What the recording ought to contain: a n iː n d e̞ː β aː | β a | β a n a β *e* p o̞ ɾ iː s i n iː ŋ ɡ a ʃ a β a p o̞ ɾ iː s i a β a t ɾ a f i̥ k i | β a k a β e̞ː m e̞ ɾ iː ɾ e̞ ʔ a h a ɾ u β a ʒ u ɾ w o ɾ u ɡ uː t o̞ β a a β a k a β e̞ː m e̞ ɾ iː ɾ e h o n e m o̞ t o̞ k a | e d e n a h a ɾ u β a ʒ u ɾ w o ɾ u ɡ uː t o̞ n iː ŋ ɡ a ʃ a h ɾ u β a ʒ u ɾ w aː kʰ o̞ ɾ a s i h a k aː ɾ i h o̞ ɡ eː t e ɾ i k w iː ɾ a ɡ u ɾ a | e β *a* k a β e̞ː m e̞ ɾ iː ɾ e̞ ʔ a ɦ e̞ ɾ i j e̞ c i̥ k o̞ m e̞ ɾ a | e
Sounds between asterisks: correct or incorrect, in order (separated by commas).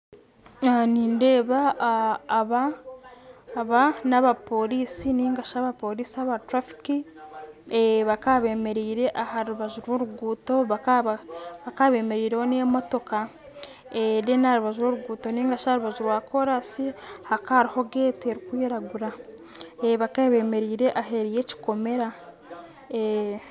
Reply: incorrect, correct